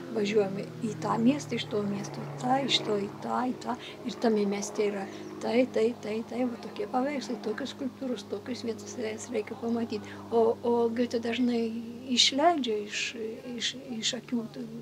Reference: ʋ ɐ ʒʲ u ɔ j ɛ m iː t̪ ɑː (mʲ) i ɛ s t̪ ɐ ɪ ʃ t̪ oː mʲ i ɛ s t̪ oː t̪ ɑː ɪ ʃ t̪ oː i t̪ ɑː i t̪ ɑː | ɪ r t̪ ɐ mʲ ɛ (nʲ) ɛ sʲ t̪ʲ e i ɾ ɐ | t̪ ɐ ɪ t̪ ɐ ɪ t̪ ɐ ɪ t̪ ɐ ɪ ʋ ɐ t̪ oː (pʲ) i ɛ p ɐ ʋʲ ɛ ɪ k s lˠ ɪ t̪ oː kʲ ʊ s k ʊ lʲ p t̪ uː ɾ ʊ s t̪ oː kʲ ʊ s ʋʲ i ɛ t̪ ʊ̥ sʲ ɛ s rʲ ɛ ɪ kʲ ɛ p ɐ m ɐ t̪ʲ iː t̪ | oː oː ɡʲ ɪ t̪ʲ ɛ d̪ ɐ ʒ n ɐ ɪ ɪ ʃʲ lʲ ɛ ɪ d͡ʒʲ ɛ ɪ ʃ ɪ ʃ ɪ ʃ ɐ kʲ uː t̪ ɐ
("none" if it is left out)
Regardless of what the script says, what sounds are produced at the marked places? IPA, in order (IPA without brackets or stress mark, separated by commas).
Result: mʲ, mʲ, kʲ